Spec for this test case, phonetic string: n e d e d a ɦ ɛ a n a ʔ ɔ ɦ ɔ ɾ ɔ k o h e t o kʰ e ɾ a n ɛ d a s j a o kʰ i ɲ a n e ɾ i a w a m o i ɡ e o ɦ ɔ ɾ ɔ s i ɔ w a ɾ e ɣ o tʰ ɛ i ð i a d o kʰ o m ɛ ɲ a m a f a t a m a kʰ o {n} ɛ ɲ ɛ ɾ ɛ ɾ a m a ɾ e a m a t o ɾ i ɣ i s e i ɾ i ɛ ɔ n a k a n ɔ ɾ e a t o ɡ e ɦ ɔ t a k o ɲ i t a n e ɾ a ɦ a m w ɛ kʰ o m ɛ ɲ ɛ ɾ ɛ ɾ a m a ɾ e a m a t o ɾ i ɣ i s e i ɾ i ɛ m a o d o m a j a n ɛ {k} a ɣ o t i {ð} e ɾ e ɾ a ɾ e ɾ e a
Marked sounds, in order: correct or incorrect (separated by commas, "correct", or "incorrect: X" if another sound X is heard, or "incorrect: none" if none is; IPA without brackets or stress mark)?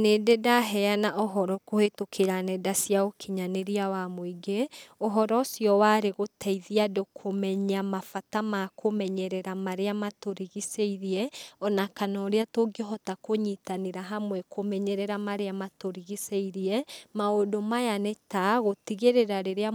incorrect: m, incorrect: t, incorrect: ɣ